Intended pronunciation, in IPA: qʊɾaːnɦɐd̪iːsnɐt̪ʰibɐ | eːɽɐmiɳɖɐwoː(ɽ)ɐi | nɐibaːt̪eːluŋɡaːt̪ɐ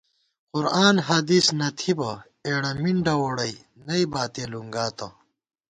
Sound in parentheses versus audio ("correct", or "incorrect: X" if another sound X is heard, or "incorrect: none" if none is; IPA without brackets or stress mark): correct